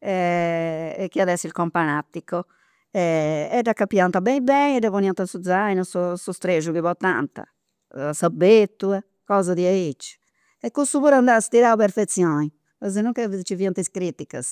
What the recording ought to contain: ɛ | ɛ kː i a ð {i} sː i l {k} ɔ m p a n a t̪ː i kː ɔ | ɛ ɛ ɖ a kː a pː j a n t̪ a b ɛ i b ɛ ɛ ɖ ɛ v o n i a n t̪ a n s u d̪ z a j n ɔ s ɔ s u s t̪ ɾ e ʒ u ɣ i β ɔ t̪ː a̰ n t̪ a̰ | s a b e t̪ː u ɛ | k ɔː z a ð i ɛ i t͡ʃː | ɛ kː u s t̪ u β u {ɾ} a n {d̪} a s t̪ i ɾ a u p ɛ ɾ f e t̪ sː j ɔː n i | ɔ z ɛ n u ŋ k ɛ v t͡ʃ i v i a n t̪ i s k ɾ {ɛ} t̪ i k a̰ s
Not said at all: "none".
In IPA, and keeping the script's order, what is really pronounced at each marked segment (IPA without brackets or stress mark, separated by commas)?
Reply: ɛ, k, ɾ, d̪, i